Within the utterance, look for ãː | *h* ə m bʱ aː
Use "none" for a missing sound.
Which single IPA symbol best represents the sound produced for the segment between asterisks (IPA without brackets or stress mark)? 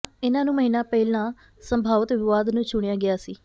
s